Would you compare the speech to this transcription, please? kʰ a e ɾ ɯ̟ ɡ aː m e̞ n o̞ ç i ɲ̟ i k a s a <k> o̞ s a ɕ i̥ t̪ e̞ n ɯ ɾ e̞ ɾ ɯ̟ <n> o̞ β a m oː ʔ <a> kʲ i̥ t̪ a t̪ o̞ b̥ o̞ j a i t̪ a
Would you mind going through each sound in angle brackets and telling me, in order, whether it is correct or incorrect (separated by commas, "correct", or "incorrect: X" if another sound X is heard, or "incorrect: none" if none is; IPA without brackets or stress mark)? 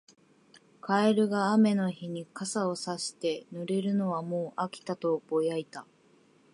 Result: incorrect: none, correct, correct